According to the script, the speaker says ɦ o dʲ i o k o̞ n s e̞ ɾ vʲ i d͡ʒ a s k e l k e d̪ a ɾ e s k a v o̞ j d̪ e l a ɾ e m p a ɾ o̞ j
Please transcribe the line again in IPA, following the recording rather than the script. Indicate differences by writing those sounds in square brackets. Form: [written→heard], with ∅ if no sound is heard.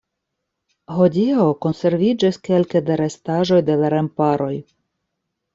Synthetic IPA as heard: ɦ o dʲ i o k o̞ n s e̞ ɾ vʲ i d͡ʒ a s k e l k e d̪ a ɾ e s [k→t] a [v→ʒ] o̞ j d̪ e l a ɾ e m p a ɾ o̞ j